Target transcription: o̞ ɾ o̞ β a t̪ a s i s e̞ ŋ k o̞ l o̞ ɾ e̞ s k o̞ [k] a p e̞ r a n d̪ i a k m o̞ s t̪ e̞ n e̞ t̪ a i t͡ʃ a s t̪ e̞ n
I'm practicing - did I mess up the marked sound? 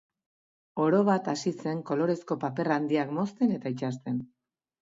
yes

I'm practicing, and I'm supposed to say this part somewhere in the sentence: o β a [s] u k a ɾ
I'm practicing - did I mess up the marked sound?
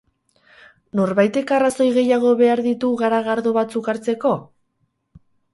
yes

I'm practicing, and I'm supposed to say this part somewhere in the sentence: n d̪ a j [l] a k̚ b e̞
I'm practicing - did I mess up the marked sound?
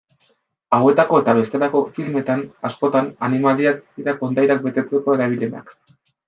yes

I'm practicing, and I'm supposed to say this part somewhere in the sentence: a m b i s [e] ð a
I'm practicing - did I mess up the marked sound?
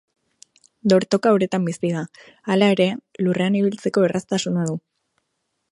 yes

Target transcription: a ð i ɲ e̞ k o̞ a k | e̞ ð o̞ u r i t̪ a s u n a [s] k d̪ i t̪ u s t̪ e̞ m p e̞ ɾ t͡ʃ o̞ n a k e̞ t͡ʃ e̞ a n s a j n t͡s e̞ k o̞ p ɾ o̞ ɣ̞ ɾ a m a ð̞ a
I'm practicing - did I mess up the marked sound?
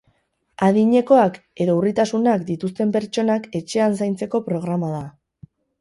yes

